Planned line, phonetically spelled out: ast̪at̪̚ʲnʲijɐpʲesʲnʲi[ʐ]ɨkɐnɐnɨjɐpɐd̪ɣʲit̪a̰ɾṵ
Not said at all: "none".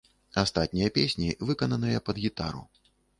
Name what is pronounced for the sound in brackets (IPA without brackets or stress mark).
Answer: v